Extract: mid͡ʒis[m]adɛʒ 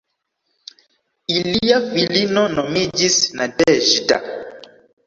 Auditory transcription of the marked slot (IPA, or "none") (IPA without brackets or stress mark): n